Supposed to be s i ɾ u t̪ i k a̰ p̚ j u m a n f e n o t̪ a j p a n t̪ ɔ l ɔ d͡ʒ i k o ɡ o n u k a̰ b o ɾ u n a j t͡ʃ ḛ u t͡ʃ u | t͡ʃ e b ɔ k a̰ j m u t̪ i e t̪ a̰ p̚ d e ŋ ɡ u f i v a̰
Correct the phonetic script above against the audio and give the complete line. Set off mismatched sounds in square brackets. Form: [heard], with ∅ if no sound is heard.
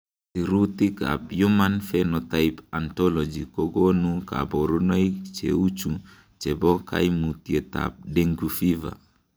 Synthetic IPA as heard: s i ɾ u t̪ i k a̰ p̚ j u m a n f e n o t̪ a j p a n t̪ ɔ l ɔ d͡ʒ i k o ɡ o n u k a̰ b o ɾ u n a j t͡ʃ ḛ u t͡ʃ u | t͡ʃ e b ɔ k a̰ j m u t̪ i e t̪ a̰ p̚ d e ŋ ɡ u f i v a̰